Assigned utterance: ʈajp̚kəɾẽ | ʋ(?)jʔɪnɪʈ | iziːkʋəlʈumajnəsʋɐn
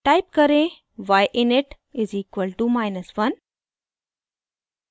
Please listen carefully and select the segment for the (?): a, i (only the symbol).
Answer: a